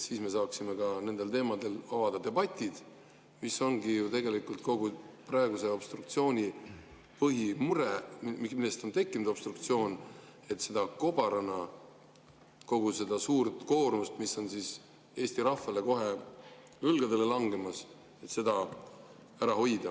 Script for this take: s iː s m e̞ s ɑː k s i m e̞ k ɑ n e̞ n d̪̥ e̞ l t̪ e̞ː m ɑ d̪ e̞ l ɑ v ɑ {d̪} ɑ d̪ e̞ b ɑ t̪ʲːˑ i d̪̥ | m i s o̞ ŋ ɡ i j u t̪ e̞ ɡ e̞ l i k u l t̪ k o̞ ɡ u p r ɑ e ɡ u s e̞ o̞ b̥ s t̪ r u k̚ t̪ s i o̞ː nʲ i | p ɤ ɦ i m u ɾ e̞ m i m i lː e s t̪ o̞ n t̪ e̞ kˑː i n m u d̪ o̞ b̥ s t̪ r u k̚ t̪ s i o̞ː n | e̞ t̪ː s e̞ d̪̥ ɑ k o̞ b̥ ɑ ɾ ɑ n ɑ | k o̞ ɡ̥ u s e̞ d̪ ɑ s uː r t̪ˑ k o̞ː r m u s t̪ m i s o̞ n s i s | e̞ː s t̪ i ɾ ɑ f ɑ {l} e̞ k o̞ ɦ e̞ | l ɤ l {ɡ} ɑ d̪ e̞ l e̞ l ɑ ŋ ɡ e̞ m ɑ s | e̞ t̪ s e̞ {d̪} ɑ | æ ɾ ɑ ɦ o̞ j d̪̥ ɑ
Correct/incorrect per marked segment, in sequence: correct, correct, correct, correct

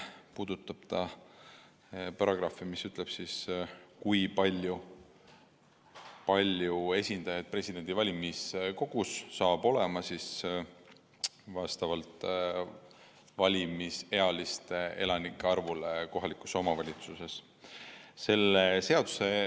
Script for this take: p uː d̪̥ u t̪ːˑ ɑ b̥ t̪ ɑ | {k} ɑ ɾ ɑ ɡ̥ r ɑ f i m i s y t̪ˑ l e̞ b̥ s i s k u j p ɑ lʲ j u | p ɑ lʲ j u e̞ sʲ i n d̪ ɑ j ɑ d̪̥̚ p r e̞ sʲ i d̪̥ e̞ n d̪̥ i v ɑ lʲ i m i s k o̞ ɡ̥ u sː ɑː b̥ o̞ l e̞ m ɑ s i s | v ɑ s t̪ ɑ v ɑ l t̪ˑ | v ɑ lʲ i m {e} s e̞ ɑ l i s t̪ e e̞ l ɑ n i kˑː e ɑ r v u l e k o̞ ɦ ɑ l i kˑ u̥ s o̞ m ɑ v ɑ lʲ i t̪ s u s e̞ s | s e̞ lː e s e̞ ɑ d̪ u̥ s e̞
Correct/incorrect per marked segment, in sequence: incorrect: p, incorrect: i

